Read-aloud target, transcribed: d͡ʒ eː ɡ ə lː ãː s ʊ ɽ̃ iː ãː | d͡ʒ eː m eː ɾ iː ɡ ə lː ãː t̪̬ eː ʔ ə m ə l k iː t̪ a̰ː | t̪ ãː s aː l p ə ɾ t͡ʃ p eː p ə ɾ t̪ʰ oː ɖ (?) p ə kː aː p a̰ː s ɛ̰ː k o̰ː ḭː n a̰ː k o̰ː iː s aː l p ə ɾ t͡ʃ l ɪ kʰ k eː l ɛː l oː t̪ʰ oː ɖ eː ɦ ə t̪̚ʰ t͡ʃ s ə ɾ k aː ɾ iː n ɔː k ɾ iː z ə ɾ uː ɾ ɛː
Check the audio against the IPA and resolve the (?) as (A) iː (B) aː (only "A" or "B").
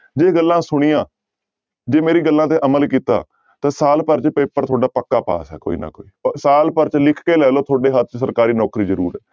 B